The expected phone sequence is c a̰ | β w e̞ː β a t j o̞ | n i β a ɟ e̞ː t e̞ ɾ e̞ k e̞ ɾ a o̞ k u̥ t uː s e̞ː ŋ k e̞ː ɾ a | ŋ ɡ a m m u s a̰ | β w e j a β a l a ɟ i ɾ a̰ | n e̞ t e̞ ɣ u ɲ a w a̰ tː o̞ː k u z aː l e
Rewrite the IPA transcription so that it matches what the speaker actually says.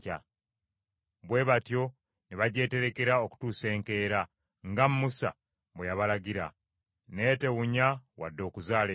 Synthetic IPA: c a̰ | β w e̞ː β a t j o̞ | n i β a ɟ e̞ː t e̞ ɾ e̞ k e̞ ɾ a o̞ k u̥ t uː s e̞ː ŋ k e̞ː ɾ a | ŋ ɡ a m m u s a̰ | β w e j a β a l a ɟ i ɾ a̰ | n e̞ t e̞ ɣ u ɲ a w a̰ dː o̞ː k u z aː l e

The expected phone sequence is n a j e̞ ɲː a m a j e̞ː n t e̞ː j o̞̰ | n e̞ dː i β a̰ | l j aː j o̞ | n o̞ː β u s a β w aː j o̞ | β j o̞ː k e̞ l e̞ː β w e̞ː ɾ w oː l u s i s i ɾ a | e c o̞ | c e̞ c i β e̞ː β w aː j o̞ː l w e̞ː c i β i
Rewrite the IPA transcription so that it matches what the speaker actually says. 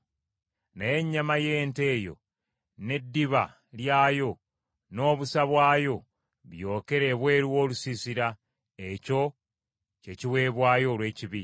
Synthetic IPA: n a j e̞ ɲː a m a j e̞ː n t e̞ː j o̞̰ | n e̞ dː i β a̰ | l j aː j o̞ | n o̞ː β u s a β w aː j o̞ | β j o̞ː k e̞ ɾ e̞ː β w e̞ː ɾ w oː l u s i s i ɾ a | e c o̞ | c e̞ c i w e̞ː β w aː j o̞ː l w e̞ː c i β i

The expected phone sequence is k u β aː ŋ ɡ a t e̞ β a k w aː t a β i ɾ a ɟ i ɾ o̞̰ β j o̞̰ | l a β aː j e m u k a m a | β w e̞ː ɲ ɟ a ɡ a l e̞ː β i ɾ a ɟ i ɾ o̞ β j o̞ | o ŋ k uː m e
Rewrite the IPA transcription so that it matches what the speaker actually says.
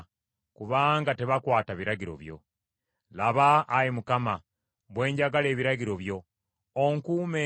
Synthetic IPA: k u β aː ŋ ɡ a t e̞ β a k w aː t a β i ɾ a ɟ i ɾ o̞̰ β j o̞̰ | l a β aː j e m u k a m a | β w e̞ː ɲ ɟ a ɡ a l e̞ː β i ɾ a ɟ i ɾ o̞ β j o̞ | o ŋ k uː m e

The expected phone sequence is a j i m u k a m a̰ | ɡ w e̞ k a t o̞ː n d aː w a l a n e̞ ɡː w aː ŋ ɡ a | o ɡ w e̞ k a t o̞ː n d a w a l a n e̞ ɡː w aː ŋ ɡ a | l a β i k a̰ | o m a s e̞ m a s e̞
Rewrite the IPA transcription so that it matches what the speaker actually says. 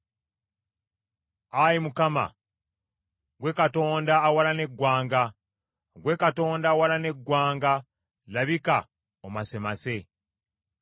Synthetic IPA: a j i m u k a m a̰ | ɡ w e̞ k a t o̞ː n d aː w a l a n e̞ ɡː w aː ŋ ɡ a | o ɡ w e̞ k a t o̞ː n d a w a l a n e̞ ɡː w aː ŋ ɡ a | l a β i k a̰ | o m a s e̞ m a s e̞

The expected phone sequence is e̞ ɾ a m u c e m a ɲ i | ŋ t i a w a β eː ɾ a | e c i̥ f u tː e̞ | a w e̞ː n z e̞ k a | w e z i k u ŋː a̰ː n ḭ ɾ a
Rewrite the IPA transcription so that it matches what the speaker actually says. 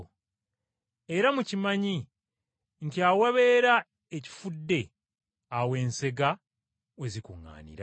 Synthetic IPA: e̞ ɾ a m u c i m a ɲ i | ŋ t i a w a β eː ɾ a | e c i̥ f u dː e̞ | a w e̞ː n s e̞ ɡ a | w e z i k u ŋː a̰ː n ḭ ɾ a

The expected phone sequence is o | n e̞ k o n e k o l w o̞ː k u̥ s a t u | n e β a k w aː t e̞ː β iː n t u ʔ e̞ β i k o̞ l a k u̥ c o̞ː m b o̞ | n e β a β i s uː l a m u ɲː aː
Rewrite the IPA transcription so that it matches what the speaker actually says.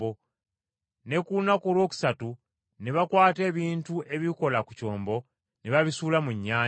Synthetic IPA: o | n e̞ k u n a k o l w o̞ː k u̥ s a t u | n e β a k w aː t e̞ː β iː n t u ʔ e̞ β i k o̞ l a k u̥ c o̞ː m b o̞ | n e β a β i s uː l a m u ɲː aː

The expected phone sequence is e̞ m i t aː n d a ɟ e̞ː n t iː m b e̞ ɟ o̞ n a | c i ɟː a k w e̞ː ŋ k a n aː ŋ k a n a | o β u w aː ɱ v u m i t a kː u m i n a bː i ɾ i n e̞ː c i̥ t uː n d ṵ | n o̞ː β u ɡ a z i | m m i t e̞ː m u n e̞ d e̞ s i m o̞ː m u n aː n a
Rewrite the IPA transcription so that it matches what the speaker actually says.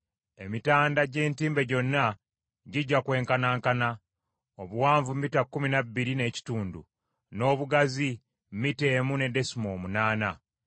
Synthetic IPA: e̞ m i t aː n d a ɟ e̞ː n t iː m b e̞ ɟ o̞ nː a | ɟ i ɟː a k w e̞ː ŋ k a n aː ŋ k a n a | o β u w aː ɱ v u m i t a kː u m i n a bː i ɾ i n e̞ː c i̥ t uː n d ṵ | n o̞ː β u ɡ a z i | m m i t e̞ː m u n e̞ d e̞ s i m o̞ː m u n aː n a

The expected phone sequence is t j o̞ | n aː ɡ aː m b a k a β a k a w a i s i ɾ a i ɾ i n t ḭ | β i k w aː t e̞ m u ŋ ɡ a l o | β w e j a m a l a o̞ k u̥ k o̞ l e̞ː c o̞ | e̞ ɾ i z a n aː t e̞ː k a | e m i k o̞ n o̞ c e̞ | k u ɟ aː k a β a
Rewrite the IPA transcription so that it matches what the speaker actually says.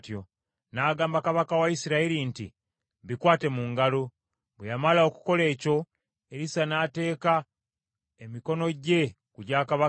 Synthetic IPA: t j o̞ | n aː ɡ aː m b a k a β a k a w a i s i ɾ a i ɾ i n t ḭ | β i k w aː t e̞ m u ŋ ɡ a l o | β w e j a m a l a o̞ k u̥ k o̞ l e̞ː c o̞ | e̞ ɾ i s a n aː t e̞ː k a | e m i k o̞ n o̞ ɟ e̞ | k u ɟ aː k a β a

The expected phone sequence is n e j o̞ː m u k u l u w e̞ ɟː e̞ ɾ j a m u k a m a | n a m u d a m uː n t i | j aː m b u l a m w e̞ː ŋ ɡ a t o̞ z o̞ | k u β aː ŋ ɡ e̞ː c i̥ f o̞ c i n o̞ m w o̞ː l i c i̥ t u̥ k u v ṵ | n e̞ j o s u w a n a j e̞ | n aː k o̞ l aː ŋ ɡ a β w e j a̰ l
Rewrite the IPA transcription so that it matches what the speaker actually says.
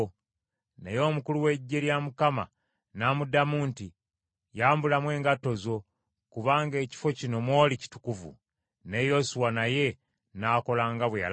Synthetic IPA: n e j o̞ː m u k u l u w e̞ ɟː e̞ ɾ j a m u k a m a | n a m u d a m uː n t i | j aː m b u l a m w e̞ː ŋ ɡ a t o̞ z o̞ | k u β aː ŋ ɡ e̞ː c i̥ f o̞ c i n o̞ m w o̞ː l i c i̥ t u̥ k u v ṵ | n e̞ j o s u w a n a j e̞ | n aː k o̞ l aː ŋ ɡ a β w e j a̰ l

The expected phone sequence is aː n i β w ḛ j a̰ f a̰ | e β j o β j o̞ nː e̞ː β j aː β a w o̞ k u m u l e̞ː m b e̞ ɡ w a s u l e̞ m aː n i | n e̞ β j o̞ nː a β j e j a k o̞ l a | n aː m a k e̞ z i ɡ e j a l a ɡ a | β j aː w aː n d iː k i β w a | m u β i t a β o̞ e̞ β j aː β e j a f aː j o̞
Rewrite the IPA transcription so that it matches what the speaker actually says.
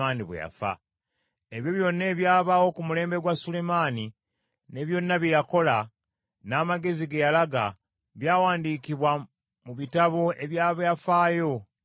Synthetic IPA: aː n i β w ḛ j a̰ f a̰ | e β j o β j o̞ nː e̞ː β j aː β a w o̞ k u m u l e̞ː m b e̞ ɡ w a s u l e̞ m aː n i | n e̞ β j o̞ nː a β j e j a k o̞ l a | n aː m a ɡ e̞ z i ɡ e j a l a ɡ a | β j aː w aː n d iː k i β w a | m u β i t a β o̞ e̞ β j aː β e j a f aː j o̞

